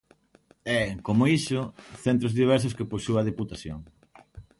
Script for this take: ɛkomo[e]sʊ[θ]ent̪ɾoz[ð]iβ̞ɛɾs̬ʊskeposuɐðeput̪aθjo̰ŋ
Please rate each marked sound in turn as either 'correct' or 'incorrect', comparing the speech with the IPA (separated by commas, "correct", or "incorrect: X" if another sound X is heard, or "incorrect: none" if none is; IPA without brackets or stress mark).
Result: incorrect: i, correct, correct